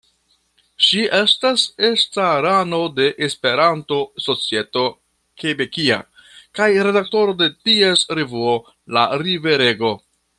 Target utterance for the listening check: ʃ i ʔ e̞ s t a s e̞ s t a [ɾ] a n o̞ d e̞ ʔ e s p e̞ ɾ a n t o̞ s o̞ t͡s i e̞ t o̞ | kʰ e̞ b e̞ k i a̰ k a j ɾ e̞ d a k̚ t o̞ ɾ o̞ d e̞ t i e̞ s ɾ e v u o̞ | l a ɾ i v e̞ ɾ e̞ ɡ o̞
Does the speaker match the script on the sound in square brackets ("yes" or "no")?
yes